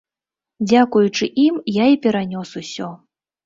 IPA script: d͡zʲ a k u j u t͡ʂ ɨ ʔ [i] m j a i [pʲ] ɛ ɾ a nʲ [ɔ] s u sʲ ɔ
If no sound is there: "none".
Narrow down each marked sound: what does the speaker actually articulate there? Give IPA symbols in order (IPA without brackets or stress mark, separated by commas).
i, pʲ, ɔ